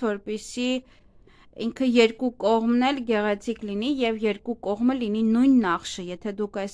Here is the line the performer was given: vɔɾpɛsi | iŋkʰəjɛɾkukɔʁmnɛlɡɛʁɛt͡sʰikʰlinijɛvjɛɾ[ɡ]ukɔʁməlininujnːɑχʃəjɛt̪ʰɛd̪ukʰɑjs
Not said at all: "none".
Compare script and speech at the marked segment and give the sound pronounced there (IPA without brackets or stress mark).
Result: k